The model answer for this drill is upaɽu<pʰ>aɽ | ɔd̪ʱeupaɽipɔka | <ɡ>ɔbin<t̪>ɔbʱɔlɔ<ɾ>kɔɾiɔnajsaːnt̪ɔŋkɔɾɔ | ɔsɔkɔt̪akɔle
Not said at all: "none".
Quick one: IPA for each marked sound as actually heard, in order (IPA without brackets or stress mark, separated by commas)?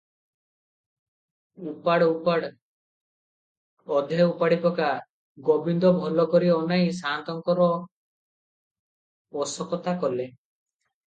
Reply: p, ɡ, d̪, none